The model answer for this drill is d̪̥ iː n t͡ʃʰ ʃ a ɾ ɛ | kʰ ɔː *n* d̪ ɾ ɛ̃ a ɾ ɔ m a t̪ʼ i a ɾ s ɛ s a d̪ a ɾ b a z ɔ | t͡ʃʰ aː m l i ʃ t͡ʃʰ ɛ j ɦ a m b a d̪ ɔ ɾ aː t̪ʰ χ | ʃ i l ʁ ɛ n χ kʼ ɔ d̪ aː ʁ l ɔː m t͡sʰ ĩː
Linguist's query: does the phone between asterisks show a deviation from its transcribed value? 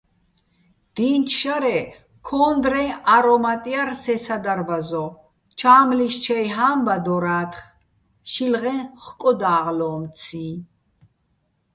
no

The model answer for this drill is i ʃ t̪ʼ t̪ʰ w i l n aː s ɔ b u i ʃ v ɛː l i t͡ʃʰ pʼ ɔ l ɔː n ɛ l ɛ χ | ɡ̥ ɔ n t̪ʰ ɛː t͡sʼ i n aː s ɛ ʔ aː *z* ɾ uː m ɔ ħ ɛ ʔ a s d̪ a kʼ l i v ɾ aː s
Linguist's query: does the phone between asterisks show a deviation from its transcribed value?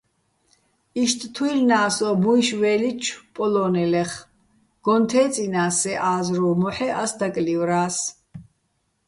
no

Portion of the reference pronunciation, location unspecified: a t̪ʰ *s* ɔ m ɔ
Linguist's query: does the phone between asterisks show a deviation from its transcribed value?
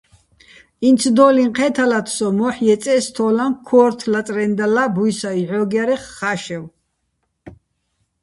no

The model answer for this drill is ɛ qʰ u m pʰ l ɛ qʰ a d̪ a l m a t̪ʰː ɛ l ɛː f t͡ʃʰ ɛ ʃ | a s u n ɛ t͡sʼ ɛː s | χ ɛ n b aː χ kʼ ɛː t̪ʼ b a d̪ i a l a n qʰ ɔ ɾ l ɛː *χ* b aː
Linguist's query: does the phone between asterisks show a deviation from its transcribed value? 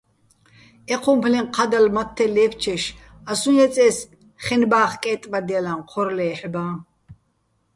yes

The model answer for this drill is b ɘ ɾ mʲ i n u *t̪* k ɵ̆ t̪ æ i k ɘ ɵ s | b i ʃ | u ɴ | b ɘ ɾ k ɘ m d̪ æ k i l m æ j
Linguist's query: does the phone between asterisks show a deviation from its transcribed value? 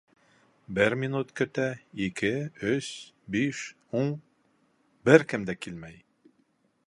no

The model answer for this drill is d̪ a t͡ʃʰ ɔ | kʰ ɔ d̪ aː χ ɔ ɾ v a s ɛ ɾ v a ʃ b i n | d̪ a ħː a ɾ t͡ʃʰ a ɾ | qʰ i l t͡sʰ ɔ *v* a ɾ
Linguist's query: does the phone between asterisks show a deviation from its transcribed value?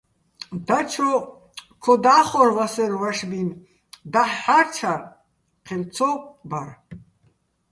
yes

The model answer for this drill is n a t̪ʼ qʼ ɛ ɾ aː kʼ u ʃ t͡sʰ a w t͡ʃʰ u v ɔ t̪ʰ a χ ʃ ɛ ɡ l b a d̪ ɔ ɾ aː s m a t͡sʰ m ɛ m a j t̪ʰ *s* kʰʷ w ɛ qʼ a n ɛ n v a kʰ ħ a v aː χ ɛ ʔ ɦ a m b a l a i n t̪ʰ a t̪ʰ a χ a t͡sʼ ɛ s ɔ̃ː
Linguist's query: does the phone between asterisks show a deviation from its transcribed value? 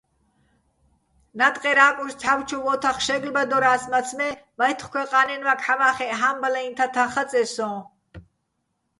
yes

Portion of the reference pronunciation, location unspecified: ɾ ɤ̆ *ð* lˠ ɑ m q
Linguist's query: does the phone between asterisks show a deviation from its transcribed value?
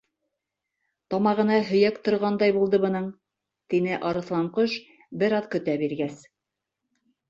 yes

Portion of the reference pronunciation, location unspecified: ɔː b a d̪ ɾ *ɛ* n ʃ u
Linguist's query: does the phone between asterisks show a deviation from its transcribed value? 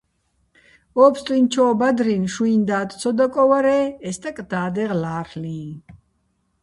yes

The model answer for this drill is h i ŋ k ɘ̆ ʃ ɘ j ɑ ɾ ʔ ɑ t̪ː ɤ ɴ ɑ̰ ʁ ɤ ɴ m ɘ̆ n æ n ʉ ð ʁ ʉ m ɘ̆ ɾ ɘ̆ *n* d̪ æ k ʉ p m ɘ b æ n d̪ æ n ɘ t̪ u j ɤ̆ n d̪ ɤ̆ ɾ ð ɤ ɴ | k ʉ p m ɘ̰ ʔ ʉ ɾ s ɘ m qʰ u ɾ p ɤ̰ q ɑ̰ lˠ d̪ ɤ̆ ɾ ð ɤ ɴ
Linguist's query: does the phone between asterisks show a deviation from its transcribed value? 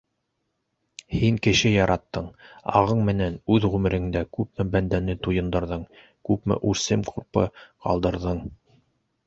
yes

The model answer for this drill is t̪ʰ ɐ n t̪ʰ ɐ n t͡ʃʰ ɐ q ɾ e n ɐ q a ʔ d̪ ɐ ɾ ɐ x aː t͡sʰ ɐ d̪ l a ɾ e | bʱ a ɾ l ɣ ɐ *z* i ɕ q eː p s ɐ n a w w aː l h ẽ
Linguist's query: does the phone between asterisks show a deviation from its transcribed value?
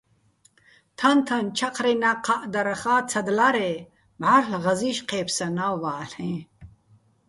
no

